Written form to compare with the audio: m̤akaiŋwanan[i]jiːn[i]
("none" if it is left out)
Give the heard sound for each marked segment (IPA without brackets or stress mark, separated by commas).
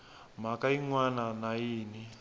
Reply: a, i